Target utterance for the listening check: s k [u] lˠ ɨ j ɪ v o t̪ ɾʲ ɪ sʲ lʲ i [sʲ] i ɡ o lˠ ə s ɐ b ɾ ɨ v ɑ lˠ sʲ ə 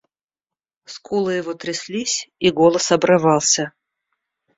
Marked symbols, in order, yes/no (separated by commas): yes, yes